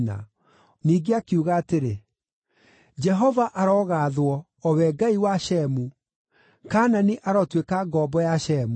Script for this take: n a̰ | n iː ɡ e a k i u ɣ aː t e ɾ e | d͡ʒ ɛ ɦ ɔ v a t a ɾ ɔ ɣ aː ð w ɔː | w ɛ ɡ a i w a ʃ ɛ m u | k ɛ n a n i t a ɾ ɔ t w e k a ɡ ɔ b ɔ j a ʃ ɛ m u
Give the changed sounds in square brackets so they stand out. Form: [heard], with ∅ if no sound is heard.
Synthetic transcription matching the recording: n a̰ | n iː ɡ e a k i u ɣ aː t e ɾ e | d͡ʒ ɛ ɦ ɔ v a [ʔ] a ɾ ɔ ɣ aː ð w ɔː | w ɛ ɡ a i w a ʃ ɛ m u | k [a] n a n i [ʔ] a ɾ ɔ t w e k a ɡ ɔ b ɔ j a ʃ ɛ m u